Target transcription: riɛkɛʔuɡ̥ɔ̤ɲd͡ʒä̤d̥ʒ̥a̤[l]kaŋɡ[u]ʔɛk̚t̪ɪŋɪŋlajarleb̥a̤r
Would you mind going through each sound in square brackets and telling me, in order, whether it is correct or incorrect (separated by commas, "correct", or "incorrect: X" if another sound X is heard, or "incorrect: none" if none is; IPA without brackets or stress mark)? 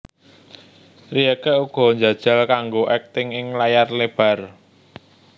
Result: correct, incorrect: o